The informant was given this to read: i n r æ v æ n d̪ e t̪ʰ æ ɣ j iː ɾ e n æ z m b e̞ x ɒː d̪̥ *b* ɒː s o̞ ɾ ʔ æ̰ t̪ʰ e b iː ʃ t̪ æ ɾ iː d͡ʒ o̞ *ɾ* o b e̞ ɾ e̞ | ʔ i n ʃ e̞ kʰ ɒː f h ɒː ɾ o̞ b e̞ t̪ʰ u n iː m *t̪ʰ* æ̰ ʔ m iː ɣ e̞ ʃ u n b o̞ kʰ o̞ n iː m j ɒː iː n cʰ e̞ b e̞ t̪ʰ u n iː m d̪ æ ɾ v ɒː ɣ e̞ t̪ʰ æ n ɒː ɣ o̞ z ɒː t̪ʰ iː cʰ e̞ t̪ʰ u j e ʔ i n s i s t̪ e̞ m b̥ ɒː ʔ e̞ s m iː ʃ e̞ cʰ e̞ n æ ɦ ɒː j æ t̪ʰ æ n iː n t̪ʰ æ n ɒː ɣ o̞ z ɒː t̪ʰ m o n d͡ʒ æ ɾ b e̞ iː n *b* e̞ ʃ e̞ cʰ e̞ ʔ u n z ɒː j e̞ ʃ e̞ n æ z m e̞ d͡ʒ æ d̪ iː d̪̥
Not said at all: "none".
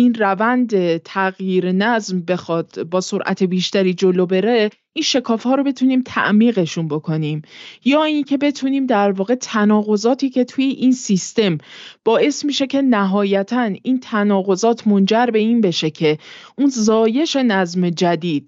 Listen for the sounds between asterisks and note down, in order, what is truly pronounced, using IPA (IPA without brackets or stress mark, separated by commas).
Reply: b, l, t̪ʰ, b